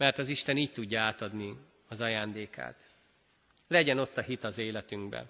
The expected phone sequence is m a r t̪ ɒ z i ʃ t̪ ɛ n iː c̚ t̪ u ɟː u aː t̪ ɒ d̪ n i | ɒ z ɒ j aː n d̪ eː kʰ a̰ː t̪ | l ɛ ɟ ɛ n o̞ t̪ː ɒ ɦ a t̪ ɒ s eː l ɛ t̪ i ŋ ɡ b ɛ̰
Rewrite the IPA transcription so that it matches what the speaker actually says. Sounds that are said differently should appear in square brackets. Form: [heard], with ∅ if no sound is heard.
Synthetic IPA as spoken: m [ɛ] r t̪ ɒ z i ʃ t̪ ɛ n iː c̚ t̪ u ɟː [ɒ] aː t̪ ɒ d̪ n i | ɒ z ɒ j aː n d̪ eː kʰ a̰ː t̪ | l ɛ ɟ ɛ n o̞ t̪ː ɒ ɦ [i] t̪ ɒ [z] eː l ɛ t̪ [y] ŋ ɡ b ɛ̰